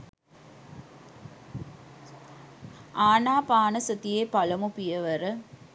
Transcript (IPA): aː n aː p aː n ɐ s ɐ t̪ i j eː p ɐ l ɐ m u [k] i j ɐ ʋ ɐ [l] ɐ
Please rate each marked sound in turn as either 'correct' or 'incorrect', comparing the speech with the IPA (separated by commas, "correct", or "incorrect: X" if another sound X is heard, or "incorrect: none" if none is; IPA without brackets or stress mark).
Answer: incorrect: p, incorrect: ɾ